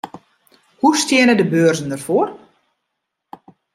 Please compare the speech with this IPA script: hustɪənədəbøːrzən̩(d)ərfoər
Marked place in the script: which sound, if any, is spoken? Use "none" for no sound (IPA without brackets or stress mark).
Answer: d